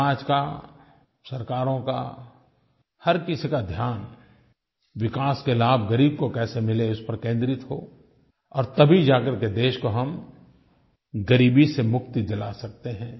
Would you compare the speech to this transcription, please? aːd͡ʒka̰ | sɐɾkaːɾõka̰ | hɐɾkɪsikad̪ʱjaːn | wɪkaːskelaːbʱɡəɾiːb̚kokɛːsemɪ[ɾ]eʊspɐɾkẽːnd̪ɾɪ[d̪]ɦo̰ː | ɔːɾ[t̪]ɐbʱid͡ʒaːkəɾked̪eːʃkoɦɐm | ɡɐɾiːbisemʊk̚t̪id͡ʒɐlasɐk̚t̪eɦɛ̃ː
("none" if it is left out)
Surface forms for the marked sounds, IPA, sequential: l, t̪, t̪

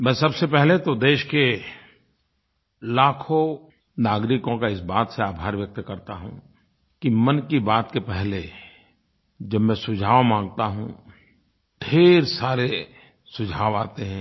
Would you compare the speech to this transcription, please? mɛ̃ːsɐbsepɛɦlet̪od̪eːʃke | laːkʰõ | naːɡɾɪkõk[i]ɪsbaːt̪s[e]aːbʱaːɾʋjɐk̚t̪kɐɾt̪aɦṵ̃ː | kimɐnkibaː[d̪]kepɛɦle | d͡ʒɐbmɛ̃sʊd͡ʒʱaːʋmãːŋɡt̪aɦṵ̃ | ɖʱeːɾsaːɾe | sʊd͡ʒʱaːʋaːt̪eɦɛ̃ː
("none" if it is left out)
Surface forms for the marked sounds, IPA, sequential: a, e, t̪

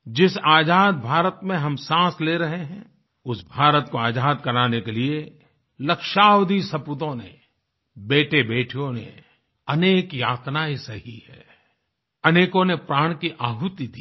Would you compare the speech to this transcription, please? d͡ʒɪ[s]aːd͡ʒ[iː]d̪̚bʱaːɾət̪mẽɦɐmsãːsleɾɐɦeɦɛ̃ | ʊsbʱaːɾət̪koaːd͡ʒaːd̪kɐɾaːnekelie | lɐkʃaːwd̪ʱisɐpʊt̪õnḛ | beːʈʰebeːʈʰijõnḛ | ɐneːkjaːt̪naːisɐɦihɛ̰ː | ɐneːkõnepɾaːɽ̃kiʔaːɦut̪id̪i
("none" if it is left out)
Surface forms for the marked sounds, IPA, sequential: s, aː

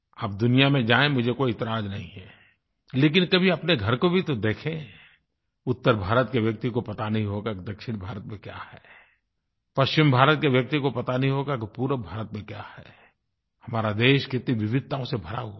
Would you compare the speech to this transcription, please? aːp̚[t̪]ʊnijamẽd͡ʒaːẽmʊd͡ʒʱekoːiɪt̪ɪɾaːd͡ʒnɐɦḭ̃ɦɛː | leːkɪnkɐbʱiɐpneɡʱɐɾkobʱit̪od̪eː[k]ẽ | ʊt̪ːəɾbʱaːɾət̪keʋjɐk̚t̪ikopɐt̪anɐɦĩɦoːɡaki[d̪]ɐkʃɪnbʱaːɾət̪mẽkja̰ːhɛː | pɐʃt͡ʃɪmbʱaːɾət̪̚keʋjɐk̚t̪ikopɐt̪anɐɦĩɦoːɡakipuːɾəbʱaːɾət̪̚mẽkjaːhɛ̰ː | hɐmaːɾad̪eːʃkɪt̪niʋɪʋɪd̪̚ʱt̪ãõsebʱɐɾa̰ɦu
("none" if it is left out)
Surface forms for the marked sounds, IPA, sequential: d̪, kʰ, d̪

